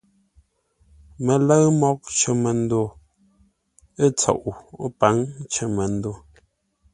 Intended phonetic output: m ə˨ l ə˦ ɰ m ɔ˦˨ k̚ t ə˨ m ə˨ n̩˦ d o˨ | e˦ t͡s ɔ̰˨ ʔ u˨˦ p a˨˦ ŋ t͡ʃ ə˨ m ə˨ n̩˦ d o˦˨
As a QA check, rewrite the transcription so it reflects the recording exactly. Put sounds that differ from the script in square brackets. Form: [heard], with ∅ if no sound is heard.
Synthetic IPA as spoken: m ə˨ l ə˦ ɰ m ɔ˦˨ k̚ [t͡ʃ] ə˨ m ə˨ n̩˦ d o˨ | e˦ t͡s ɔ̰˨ ʔ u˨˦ p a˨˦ ŋ t͡ʃ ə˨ m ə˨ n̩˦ d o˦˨